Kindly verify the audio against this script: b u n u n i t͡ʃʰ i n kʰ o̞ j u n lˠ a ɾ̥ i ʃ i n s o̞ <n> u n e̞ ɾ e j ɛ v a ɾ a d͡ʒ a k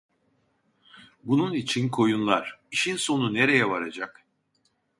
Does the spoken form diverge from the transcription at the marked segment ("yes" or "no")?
no